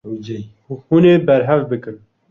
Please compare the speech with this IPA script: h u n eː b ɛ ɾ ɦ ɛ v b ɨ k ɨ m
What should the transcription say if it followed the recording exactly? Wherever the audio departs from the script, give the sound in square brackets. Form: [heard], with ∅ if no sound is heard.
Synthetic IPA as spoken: h u n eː b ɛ ɾ ɦ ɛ v b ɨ k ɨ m